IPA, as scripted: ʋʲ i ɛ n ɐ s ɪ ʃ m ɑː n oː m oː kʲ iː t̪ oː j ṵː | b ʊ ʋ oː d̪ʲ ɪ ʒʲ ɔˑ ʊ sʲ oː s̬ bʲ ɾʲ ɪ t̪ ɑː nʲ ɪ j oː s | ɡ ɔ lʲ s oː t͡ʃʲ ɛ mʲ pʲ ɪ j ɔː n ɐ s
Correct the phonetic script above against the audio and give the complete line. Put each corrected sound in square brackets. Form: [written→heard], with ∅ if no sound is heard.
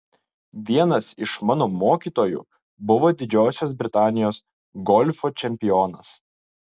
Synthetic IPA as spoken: ʋʲ i ɛ n ɐ s ɪ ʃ m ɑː n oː m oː kʲ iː t̪ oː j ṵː | b ʊ ʋ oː d̪ʲ ɪ [ʒʲ→d͡ʒʲ] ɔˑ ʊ sʲ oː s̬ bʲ ɾʲ ɪ t̪ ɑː nʲ ɪ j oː s | ɡ ɔ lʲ [s→f] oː t͡ʃʲ ɛ mʲ pʲ ɪ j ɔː n ɐ s